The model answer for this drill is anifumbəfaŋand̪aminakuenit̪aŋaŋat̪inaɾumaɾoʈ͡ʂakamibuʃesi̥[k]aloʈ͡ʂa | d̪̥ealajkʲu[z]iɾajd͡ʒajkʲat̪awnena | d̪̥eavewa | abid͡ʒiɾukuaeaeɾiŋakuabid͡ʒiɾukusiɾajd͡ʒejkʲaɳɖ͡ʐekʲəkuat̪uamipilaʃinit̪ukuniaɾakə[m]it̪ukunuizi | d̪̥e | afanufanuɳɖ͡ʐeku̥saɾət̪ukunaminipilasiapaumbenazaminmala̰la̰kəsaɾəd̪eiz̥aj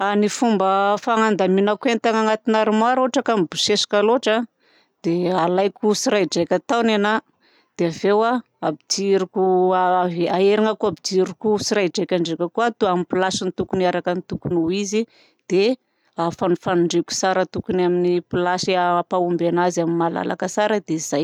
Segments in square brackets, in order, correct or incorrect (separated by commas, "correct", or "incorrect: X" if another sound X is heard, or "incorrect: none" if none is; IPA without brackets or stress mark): correct, incorrect: s, incorrect: n